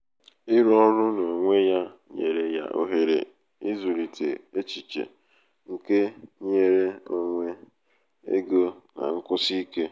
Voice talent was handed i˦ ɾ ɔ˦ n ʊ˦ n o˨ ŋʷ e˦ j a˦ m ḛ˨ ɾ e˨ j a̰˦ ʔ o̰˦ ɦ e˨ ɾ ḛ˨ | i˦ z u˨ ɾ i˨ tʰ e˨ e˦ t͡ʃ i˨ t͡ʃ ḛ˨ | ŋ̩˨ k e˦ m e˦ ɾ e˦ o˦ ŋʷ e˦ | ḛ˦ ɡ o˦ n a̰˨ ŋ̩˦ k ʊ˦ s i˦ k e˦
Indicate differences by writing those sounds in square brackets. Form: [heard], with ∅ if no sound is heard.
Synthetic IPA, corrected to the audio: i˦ ɾ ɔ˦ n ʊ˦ n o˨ ŋʷ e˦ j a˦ [ɲ] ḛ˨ ɾ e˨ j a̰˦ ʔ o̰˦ ɦ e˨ ɾ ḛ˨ | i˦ z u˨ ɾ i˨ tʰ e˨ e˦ t͡ʃ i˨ t͡ʃ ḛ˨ | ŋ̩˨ k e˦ [ɲ] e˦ ɾ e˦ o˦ ŋʷ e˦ | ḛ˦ ɡ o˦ n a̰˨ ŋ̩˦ k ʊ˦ s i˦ k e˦